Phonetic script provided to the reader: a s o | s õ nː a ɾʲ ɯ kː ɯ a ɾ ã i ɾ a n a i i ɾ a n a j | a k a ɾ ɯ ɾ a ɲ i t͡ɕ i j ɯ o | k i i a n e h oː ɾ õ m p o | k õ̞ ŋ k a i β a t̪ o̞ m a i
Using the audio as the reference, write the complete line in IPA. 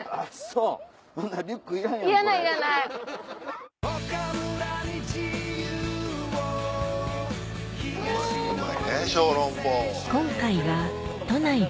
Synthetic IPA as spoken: a s o | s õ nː a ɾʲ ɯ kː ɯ i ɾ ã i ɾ a n a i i ɾ a n a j | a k a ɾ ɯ ɾ a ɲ i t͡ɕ i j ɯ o | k i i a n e ɕ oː ɾ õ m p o | k õ̞ ŋ k a i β a t̪ o̞ n a i